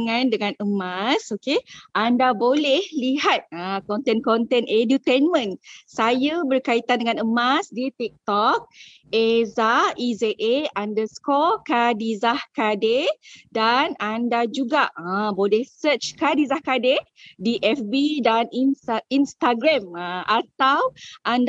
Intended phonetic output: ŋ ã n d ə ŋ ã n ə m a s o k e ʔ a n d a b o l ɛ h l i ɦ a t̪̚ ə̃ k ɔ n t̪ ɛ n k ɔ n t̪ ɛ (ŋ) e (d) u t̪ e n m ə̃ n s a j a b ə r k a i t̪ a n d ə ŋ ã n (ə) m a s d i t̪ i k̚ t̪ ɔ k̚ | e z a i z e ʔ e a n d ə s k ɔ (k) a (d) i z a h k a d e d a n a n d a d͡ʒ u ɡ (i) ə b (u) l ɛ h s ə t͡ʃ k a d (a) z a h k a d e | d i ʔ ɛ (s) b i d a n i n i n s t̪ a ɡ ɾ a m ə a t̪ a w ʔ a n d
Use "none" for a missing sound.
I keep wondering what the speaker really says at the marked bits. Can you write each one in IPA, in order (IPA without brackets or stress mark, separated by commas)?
n, d, ə, k, d, a, o, i, f